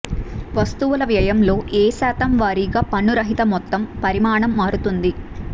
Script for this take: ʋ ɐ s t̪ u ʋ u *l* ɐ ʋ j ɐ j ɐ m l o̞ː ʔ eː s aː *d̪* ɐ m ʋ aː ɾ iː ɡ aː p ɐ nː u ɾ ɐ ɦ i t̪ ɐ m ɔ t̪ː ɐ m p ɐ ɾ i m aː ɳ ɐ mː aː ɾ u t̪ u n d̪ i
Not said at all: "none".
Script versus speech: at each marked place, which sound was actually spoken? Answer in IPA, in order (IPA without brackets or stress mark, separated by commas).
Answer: l, t̪